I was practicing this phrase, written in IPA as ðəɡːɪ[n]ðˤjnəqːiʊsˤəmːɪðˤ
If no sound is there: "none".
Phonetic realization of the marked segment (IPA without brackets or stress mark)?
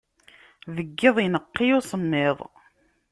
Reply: none